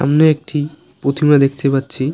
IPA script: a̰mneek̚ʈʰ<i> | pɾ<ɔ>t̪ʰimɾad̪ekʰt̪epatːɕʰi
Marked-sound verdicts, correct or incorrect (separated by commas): correct, incorrect